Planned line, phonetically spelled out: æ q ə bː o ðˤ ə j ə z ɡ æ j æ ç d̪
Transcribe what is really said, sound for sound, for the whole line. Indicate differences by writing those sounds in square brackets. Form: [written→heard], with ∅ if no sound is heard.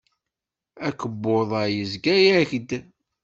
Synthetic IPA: æ [q→k] ə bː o ðˤ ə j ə z ɡ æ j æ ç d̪